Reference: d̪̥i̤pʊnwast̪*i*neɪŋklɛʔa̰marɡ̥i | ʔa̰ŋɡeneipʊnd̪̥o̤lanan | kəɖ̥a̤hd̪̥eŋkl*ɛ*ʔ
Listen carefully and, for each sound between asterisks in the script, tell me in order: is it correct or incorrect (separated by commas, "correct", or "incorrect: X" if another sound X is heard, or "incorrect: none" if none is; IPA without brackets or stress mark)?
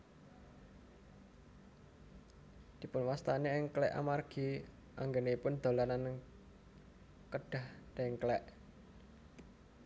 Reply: incorrect: a, correct